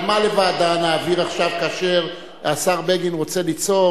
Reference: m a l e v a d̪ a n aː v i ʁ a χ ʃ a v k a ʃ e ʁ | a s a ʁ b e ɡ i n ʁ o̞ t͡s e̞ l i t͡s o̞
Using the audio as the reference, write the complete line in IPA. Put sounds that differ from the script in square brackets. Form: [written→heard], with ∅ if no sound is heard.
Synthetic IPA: m a l e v a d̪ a n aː v i ʁ a χ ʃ a v k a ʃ e ʁ | a s a ʁ b e ɡ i n ʁ o̞ t͡s e̞ l i t͡s o̞